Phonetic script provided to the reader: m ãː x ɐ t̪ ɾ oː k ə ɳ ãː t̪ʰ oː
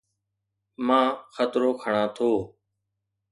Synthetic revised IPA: m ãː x ə t̪ ɾ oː kʰ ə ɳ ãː t̪ʰ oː